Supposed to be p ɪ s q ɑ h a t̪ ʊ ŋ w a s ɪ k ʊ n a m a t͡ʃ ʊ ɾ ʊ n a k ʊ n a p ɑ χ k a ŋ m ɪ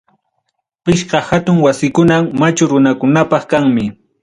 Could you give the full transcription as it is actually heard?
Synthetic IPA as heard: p ɪ ʃ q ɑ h a t̪ ʊ ŋ w a s ɪ k ʊ n a m a t͡ʃ ʊ ɾ ʊ n a k ʊ n a p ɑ χ k a ŋ m ɪ